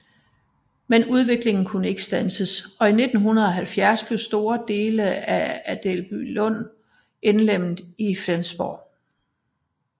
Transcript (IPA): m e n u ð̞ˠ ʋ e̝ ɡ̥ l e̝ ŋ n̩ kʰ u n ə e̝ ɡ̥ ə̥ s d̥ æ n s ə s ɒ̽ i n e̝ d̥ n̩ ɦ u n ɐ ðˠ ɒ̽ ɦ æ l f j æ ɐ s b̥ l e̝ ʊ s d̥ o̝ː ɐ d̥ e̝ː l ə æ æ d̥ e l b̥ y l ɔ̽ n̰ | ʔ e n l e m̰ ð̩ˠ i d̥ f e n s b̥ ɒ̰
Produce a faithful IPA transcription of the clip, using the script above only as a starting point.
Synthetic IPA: m e n u ð̞ˠ ʋ e̝ ɡ̥ l e̝ ŋ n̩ kʰ u n ə e̝ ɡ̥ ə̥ s d̥ æ n s ə s ɒ̽ i n e̝ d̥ n̩ ɦ u n ɐ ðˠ ɒ̽ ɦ æ l f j æ ɐ s b̥ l e̝ ʊ s d̥ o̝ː ɐ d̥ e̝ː l ə æ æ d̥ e l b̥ y l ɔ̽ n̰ | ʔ e n l e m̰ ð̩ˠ i f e n s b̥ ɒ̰